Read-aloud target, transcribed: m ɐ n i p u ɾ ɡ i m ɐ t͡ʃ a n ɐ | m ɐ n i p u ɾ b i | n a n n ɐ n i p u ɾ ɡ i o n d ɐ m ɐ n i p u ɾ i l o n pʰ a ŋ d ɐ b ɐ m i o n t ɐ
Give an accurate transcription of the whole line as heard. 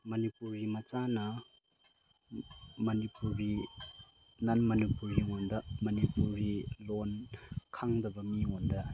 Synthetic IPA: m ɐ n i p u ɾ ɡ i m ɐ t͡ʃ a n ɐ | m ɐ n i p u ɾ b i | n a n m ɐ n i p u ɾ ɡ i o n d ɐ m ɐ n i p u ɾ i l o n kʰ a ŋ d ɐ b ɐ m i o n d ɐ

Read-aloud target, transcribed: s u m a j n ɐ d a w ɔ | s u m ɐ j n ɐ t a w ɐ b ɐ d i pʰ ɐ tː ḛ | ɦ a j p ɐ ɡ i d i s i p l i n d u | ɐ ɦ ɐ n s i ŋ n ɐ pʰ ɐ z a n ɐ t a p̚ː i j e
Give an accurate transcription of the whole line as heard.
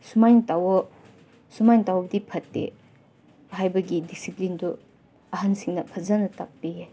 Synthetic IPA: s u m a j n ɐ t a w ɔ | s u m a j n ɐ t a w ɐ b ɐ d i pʰ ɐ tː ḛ | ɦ a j b ɐ ɡ i d i s i p l i n d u | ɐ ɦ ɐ n s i ŋ n ɐ pʰ ɐ z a n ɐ t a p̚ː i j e

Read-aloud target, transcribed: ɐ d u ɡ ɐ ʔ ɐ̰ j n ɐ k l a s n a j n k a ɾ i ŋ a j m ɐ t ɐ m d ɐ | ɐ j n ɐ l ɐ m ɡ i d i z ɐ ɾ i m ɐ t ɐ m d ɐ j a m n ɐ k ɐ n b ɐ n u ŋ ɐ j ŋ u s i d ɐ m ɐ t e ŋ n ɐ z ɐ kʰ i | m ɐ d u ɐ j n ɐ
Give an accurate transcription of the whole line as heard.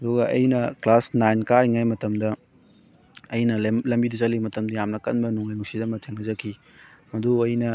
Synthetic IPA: ɐ d u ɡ ɐ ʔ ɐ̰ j n ɐ k l a s n a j n k a ɾ i ŋ a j m ɐ t ɐ m d ɐ | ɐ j n ɐ l ɐ m b i d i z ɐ l i m ɐ t ɐ m d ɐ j a m n ɐ k ɐ n b ɐ n u ŋ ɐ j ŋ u s i d ɐ m ɐ tʰ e ŋ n ɐ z ɐ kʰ i | m ɐ d u ɐ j n ɐ

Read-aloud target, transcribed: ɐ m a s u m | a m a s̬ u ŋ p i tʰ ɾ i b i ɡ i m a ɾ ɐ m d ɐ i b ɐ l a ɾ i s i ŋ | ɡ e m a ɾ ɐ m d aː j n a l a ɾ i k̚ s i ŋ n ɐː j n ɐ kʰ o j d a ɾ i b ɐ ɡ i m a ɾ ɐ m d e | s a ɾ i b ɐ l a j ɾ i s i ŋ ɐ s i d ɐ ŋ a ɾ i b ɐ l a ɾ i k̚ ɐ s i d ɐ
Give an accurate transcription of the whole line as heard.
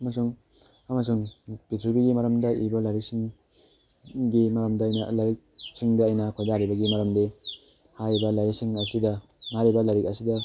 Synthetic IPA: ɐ m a s u ŋ | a m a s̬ u ŋ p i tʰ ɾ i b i ɡ i m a ɾ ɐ m d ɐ i b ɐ l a ɾ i s i ŋ | ɡ i m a ɾ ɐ m d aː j n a l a ɾ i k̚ s i ŋ d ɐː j n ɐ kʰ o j d a ɾ i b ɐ ɡ i m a ɾ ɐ m d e | h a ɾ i b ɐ l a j ɾ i s i ŋ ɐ s i d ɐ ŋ a ɾ i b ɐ l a ɾ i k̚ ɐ s i d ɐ

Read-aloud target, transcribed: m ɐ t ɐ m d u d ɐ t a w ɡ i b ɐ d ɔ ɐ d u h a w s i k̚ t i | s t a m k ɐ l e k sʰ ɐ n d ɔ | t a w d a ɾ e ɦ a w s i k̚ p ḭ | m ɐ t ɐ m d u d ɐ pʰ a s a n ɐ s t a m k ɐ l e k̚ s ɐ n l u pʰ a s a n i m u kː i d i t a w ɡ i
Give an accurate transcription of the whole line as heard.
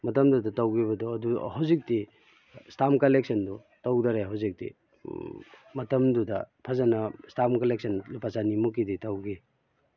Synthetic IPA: m ɐ t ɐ m d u d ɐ t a w ɡ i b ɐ d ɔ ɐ d u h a w z i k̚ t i | s t a m k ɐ l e k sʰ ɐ n d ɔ | t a w d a ɾ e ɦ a w z i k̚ t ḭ | m ɐ t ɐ m d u d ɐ pʰ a z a n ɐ s t a m k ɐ l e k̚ s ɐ n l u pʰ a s a n i m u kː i d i t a w ɡ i

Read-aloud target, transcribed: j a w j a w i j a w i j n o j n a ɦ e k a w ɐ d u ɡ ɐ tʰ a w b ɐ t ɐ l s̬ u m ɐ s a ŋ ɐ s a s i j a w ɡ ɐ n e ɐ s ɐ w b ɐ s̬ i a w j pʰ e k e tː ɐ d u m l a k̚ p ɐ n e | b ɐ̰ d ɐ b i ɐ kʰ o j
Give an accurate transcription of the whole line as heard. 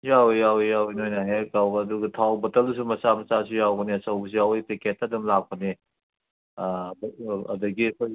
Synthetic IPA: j a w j a w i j a w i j n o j n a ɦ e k a w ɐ d u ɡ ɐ tʰ a w b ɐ t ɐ l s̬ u m ɐ s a m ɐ s a s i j a w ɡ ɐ n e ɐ s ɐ w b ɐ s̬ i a w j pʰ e k e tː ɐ d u m l a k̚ p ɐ n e | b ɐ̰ d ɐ ɡ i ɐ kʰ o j

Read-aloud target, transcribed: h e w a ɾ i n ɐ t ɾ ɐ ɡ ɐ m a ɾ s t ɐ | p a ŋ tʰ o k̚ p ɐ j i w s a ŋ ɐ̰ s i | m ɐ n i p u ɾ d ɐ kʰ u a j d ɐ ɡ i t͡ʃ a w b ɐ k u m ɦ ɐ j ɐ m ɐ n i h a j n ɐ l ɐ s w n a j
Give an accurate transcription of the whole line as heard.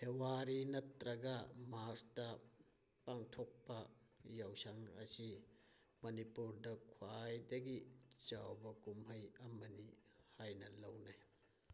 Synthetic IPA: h e w a ɾ i n ɐ t ɾ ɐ ɡ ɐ m a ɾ s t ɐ | p a ŋ tʰ o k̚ p ɐ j a w s a ŋ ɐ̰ s i | m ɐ n i p u ɾ d ɐ kʰ w a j d ɐ ɡ i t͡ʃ a w b ɐ k u m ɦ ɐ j ɐ m ɐ n i h a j n ɐ l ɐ w n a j

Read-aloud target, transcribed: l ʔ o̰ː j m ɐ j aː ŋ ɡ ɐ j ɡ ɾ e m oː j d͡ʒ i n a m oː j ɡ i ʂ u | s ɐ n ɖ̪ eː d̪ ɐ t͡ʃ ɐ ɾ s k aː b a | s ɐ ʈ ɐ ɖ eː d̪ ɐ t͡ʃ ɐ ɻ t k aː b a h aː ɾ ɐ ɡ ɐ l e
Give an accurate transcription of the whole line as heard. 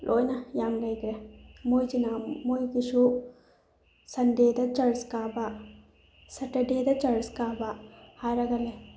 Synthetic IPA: l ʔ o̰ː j n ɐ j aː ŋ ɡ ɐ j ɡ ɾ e m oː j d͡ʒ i n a m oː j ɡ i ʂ u | s ɐ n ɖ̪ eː d̪ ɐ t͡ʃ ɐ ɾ s k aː b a | s ɐ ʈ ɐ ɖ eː d̪ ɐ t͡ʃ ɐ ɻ s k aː b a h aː ɾ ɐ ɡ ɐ l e

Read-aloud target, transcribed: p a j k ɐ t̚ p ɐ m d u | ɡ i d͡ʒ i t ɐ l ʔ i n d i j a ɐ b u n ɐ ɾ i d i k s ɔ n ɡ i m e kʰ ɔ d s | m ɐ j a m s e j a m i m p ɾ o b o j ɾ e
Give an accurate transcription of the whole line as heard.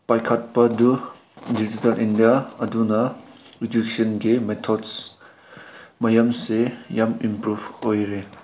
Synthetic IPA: p a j kʰ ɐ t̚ p ɐ d u | d i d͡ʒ i t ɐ l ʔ i n d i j a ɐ d u n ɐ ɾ i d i k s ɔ n ɡ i m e tʰ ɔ d s | m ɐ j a m s e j a m i m p ɾ u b o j ɾ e

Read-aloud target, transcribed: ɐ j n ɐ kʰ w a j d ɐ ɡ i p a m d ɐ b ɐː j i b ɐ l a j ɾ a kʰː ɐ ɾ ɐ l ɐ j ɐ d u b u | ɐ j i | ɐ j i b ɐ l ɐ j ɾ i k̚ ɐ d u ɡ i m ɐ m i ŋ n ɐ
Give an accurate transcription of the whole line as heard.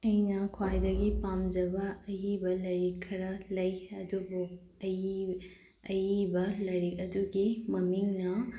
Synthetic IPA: ɐ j n ɐ kʰ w a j d ɐ ɡ i p a m d͡ʒ ɐ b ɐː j i b ɐ l ɐ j ɾ i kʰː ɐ ɾ ɐ l ɐ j ɐ d u b u | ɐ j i | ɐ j i b ɐ l ɐ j ɾ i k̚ ɐ d u ɡ i m ɐ m i ŋ n ɐ

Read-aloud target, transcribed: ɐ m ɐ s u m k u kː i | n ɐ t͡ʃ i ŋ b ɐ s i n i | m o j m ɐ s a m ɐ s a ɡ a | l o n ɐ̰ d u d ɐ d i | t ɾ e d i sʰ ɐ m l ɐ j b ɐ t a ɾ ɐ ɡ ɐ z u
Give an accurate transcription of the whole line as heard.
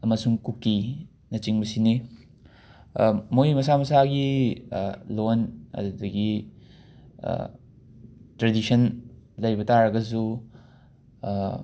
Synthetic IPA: ɐ m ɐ s u ŋ k u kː i | n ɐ t͡ʃ i ŋ b ɐ s i n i | m o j m ɐ s a m ɐ s a ɡ i | l o n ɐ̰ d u d ɐ ɡ i | t ɾ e d i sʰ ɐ n l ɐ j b ɐ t a ɾ ɐ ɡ ɐ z u

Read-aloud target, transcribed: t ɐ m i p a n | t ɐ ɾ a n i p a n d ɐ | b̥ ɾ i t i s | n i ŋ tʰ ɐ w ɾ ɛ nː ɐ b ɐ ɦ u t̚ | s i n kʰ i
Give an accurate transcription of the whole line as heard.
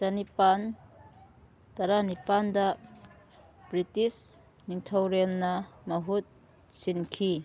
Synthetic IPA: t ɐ n i p a n | t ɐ ɾ a n i p a n d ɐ | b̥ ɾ i t i s | n i ŋ tʰ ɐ w ɾ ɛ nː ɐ m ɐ ɦ u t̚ | s i n kʰ i

